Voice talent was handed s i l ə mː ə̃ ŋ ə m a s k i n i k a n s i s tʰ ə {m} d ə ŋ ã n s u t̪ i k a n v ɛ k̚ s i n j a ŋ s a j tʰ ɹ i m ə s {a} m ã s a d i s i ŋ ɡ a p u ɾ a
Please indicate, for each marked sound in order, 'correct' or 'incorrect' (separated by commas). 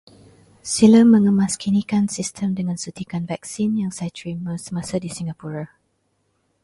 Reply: correct, incorrect